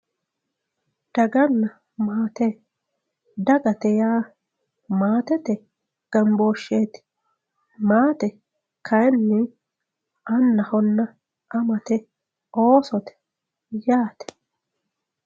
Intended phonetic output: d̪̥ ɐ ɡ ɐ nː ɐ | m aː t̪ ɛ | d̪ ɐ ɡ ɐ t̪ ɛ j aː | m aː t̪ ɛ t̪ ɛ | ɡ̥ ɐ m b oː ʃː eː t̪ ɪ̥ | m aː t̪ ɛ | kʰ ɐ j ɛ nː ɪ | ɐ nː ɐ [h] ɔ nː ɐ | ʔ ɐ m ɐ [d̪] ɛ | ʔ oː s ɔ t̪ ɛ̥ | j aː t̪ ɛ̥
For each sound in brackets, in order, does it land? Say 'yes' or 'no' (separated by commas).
yes, no